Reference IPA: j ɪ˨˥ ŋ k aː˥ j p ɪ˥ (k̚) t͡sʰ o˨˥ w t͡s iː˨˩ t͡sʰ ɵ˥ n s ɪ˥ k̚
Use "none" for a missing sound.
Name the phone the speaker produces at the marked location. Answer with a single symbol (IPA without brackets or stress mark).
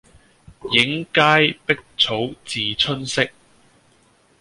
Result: k̚